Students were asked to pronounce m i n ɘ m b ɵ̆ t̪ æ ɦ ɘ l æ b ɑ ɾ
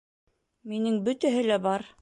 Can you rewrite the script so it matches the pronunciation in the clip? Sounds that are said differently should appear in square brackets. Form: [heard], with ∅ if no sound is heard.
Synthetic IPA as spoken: m i n ɘ [ŋ] b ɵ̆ t̪ æ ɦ ɘ l æ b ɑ ɾ

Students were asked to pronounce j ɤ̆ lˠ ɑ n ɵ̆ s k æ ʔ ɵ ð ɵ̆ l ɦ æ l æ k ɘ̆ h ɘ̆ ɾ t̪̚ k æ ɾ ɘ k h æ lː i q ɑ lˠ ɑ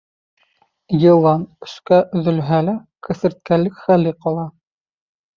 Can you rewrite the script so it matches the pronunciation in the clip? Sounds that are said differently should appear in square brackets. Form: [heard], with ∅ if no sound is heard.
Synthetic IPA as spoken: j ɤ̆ lˠ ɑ n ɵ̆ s k æ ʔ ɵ ð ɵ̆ l ɦ æ l æ k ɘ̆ [θ] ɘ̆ ɾ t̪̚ k æ [l] ɘ k [χ] æ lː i q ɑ lˠ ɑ

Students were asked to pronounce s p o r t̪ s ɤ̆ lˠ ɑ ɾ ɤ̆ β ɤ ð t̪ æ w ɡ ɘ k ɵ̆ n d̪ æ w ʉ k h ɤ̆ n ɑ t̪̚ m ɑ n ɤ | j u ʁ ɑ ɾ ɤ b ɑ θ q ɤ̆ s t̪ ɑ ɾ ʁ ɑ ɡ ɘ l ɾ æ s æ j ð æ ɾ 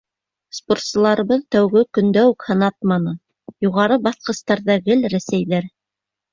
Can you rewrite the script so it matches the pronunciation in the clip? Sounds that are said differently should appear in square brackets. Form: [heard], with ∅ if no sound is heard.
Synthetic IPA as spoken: s p o r t̪ s ɤ̆ lˠ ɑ ɾ ɤ̆ β ɤ ð t̪ æ w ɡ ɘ k ɵ̆ n d̪ æ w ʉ k h ɤ̆ n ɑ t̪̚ m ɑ n ɤ | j u ʁ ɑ ɾ ɤ b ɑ θ q ɤ̆ s t̪ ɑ ɾ [ð] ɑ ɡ ɘ l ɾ æ s æ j ð æ ɾ

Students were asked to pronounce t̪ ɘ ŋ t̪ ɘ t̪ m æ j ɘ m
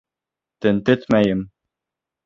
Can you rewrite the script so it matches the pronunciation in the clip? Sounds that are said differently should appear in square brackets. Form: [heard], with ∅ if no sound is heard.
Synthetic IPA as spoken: t̪ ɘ [n] t̪ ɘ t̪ m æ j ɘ m

